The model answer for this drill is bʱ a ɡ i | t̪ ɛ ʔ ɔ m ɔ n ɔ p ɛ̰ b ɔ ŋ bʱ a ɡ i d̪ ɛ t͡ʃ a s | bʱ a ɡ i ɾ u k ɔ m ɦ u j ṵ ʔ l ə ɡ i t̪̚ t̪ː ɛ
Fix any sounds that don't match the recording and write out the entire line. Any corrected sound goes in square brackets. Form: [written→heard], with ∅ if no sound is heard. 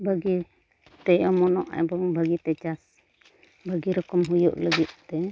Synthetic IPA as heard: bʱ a ɡ i | t̪ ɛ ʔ ɔ m ɔ n ɔ [p→ʔ] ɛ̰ b ɔ ŋ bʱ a ɡ i [d̪→t̪] ɛ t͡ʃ a s | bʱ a ɡ i ɾ [u→ɔ] k ɔ m ɦ u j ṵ ʔ l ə ɡ i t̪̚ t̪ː ɛ